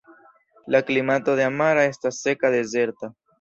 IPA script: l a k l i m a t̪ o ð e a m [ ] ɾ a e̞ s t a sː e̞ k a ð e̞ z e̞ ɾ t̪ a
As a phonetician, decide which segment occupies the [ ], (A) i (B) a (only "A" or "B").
B